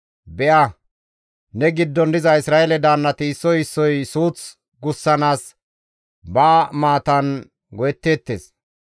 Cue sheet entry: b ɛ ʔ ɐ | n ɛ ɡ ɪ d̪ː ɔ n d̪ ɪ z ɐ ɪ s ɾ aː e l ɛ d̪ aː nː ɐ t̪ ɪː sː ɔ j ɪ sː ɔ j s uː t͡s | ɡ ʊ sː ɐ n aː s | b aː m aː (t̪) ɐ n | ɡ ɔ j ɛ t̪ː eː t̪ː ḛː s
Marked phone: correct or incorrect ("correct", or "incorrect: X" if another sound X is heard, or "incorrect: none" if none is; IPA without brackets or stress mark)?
correct